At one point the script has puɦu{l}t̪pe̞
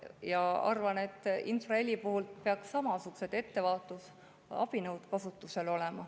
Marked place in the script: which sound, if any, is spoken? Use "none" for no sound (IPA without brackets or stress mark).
l